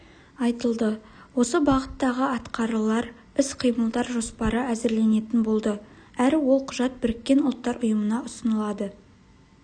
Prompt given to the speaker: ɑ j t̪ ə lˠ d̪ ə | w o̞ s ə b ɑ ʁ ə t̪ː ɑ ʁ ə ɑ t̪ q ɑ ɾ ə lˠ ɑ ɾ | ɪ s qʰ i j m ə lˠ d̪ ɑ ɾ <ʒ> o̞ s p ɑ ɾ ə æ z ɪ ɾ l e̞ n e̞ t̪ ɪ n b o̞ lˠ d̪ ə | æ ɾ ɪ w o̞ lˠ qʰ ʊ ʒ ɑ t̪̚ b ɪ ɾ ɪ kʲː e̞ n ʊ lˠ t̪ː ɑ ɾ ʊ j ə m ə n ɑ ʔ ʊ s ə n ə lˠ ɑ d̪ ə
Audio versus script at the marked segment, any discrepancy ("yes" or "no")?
no